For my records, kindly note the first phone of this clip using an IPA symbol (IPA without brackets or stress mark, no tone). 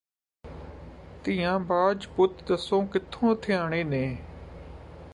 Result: t̪